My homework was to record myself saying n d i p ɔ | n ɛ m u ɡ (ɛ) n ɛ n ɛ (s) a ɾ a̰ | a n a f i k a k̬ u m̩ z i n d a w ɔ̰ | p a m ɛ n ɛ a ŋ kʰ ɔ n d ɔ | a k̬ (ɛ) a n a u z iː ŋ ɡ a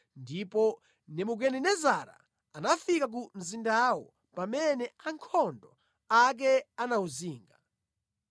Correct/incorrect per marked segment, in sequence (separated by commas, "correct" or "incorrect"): correct, incorrect, correct